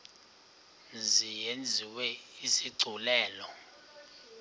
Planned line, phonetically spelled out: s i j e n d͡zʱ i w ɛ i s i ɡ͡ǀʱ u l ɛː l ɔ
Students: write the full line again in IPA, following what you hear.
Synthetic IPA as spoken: z i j e n d͡zʱ i w ɛ i s i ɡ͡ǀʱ u l ɛː l ɔ

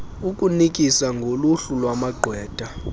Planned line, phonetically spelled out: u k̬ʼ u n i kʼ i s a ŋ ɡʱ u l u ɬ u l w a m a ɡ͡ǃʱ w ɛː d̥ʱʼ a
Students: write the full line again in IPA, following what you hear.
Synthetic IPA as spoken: u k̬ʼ u n i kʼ i s a ŋ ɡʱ o l u ɬ u l w a m a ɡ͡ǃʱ w ɛː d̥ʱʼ a

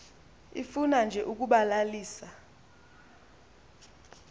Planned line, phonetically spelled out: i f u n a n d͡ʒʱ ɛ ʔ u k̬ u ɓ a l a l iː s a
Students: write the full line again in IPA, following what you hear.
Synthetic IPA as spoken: i f u n a n d͡ʒʱ ɛ ʔ u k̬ u ɓ a l a l iː s a

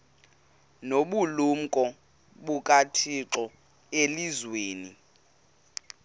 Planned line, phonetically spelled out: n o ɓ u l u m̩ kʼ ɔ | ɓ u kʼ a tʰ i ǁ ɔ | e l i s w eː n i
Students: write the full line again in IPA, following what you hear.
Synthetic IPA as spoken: n o ɓ u l u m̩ kʼ ɔ | ɓ u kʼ a tʰ i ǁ ɔ | e l i z w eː n i

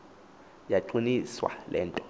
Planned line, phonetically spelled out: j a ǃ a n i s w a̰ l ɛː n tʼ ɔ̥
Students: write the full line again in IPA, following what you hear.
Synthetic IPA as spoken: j a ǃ i n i s w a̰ l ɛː n tʼ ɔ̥

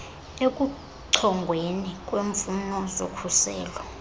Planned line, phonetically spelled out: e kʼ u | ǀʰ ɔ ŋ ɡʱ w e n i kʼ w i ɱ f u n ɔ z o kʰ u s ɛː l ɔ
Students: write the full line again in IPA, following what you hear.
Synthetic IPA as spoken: e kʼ u | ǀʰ ɔ ŋ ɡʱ w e n i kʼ w e ɱ f u n ɔ z o kʰ u s ɛː l ɔ

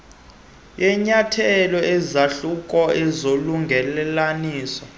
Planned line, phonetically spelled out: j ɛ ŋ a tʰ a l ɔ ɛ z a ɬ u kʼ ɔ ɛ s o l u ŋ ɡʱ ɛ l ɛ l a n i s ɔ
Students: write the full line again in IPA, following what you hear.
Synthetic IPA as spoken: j ɛ ɲ a tʰ ɛ l ɔ ɛ z a ɬ u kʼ ɔ ɛ z o l u ŋ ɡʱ ɛ l ɛ l a n iː s ɔ

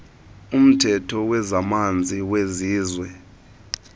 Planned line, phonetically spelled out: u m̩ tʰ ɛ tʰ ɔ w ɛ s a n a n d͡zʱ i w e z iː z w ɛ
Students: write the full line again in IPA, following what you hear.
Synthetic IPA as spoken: u m̩ tʰ ɛ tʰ ɔ w ɛ z a m a n d͡zʱ i w e z iː z w ɛ

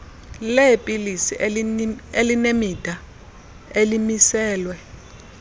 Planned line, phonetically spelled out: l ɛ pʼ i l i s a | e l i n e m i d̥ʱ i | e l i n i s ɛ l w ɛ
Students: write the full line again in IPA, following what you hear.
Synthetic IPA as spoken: l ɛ pʼ i l i s i | e l i n e m i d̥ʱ a | e l i m i s ɛː l w ɛ

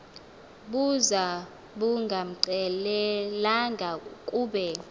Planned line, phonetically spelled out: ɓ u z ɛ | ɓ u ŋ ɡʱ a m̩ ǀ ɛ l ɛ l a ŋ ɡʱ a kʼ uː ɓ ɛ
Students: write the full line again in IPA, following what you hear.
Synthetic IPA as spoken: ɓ u z a | ɓ u ŋ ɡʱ a m̩ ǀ ɛ l ɛ l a ŋ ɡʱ a kʼ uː ɓ ɛ

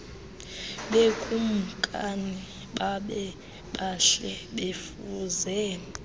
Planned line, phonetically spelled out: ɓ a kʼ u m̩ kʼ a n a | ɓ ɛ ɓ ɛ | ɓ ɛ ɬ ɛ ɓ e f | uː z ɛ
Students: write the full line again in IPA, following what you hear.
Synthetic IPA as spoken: ɓ e kʼ u m̩ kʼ a n i | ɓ a ɓ ɛ | ɓ a ɬ ɛ ɓ e f | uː z ɛ

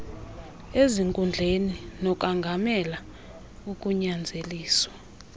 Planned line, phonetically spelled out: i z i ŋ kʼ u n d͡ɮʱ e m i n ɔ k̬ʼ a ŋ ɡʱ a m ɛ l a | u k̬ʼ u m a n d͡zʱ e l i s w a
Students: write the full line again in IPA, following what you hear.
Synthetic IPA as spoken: e z i ŋ kʼ u n d͡ɮʱ e n i n ɔ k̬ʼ a ŋ ɡʱ a m ɛ l a | u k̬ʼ u ɲ a n d͡zʱ e l iː s w a

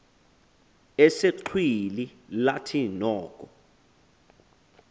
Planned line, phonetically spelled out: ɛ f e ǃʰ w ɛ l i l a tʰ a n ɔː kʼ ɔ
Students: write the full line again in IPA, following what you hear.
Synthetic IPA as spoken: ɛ s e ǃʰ w i l i l a tʰ i n ɔː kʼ ɔ

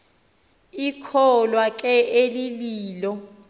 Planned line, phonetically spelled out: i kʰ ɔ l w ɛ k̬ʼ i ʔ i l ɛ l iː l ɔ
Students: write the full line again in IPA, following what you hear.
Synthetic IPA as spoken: i kʰ ɔ l w a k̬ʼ ɛ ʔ e l i l iː l ɔ

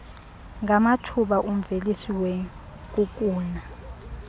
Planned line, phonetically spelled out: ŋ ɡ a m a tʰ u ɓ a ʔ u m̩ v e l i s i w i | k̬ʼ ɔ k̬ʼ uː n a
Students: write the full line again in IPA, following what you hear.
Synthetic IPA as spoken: ŋ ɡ a m a tʰ u ɓ a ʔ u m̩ v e l i s i w ɛ | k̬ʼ u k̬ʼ uː n a

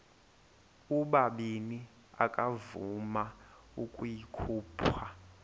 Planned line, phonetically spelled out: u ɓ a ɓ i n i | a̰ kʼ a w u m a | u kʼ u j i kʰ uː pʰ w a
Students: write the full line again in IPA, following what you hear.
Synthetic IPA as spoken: u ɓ a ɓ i n i | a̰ kʼ a v u m a | u kʼ u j i kʰ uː pʰ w a

